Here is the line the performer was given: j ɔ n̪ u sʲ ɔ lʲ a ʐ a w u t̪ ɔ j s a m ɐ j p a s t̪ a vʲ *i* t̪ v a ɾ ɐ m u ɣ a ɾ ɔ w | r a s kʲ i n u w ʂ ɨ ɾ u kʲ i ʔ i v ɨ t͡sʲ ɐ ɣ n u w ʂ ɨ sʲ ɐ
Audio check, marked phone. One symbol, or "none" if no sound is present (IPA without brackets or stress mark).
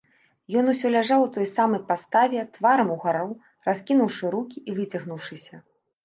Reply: ɛ